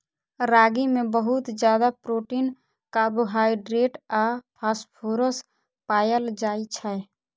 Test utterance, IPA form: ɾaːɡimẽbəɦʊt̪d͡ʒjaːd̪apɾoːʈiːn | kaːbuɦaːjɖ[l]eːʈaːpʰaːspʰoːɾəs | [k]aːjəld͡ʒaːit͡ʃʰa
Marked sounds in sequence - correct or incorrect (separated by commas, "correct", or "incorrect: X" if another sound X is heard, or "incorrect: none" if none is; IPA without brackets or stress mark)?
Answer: incorrect: ɾ, incorrect: p